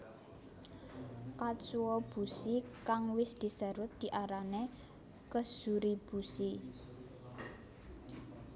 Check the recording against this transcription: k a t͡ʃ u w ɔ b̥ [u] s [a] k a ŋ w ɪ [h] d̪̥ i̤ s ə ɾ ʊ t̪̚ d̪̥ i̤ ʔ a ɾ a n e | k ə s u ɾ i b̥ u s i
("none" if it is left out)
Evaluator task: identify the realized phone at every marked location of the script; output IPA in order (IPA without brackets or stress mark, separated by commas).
u, i, s